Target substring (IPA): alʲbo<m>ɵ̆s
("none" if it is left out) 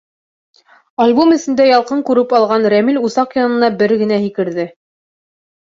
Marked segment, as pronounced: m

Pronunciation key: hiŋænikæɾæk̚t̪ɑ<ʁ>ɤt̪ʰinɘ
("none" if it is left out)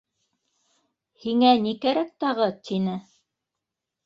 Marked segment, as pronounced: ʁ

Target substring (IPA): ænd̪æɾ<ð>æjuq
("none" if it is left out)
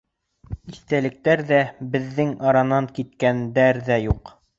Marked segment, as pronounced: ð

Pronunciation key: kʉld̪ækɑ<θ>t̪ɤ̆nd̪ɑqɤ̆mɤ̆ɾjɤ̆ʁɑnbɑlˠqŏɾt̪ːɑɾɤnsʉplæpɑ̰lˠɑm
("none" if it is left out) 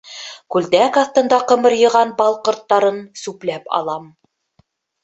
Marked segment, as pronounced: θ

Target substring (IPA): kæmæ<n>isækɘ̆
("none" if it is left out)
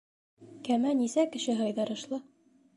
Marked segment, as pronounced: n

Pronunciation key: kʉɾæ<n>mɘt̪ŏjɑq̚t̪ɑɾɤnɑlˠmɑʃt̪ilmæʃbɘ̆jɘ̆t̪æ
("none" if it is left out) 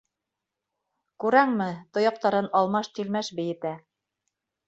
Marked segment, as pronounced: ŋ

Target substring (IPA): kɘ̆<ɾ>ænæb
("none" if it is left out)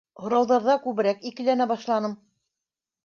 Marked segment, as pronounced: l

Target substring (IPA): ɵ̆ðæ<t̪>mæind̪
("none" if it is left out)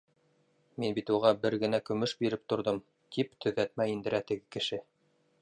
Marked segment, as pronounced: t̪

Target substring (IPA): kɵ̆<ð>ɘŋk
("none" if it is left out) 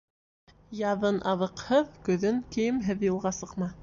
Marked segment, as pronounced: ð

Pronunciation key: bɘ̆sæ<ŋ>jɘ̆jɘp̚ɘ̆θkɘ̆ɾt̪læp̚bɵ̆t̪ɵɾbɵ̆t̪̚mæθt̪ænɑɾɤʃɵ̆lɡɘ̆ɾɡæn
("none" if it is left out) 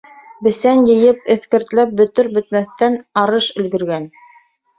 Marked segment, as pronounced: n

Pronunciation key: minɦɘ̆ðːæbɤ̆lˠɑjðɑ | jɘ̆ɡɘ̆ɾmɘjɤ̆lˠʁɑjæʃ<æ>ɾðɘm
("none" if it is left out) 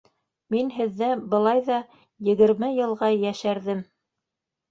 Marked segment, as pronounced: æ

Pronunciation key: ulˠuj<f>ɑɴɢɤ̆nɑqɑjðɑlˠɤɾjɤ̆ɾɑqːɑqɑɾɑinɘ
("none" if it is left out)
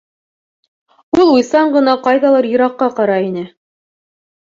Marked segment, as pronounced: s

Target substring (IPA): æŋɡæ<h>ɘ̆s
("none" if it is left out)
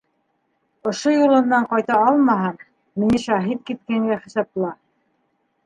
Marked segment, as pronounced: χ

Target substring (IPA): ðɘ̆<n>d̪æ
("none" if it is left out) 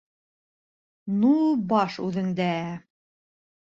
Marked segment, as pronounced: ŋ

